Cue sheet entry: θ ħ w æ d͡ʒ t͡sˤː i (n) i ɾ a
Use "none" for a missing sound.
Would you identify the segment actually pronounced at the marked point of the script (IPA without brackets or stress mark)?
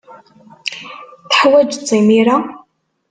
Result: m